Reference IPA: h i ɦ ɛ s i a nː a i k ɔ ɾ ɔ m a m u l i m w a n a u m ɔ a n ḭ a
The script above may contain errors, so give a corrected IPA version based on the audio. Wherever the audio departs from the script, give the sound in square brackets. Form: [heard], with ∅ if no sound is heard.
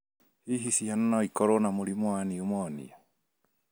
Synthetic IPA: h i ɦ [i] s i a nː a i k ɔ ɾ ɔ [n] a m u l i m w a n [i] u m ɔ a n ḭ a